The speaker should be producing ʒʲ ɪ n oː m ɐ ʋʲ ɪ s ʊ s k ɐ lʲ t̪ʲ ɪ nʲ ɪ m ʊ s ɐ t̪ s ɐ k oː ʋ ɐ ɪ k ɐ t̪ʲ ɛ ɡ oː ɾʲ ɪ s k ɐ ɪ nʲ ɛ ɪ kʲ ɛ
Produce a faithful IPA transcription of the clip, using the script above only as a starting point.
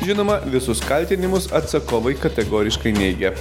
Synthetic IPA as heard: ʒʲ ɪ n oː m ɐ ʋʲ ɪ s ʊ s k ɐ lʲ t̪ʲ ɪ nʲ ɪ m ʊ s ɐ t̪ s ɐ k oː ʋ ɐ ɪ k ɐ t̪ʲ ɛ ɡ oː ɾʲ ɪ ʃ k ɐ ɪ nʲ ɛ ɪ ɡʲ ɛ